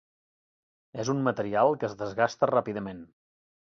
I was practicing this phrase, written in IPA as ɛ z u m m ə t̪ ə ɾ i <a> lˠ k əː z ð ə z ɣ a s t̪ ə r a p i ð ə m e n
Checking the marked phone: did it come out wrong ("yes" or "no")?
no